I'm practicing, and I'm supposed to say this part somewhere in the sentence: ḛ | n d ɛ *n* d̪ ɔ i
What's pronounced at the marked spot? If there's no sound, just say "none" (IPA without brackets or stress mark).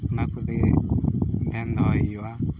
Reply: n